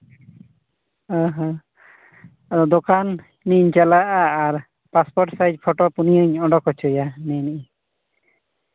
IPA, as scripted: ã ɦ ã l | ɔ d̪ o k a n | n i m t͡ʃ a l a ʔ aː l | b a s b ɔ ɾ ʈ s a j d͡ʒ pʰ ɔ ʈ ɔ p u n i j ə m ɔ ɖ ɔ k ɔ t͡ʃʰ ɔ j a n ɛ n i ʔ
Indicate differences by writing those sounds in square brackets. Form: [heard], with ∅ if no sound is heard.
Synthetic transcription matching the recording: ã ɦ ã [∅] | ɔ d̪ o k a n | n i [ɲ] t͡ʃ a l a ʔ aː [ɾ] | [p] a s [p] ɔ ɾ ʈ s a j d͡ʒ pʰ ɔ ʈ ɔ p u n i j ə [ɲ] ɔ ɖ ɔ k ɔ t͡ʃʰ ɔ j a n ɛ n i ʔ